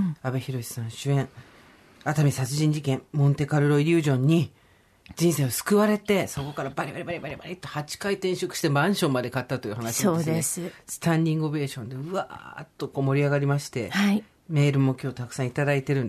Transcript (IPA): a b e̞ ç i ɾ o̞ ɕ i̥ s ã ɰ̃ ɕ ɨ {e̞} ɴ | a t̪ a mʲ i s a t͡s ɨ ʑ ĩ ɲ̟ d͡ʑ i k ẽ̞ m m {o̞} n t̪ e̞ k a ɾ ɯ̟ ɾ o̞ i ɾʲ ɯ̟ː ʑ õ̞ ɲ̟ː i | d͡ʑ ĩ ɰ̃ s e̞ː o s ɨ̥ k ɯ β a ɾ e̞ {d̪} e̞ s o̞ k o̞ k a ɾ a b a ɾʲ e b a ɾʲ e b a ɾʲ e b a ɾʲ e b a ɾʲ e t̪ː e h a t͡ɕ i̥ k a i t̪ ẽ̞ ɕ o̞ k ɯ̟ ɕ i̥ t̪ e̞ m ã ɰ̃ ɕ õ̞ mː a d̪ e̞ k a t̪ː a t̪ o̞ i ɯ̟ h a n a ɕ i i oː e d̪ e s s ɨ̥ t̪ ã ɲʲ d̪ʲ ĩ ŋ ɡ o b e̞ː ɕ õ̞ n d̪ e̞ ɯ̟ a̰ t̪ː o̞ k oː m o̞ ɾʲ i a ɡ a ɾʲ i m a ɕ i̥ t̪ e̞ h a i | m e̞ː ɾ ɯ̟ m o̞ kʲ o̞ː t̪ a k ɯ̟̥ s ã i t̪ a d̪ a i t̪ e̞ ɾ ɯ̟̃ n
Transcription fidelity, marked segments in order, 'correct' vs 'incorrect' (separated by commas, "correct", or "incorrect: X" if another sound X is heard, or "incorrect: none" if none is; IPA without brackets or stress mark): incorrect: ẽ̞, incorrect: õ̞, incorrect: t̪